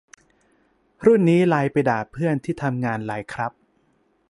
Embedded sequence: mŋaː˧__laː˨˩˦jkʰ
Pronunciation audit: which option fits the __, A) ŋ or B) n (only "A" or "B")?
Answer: B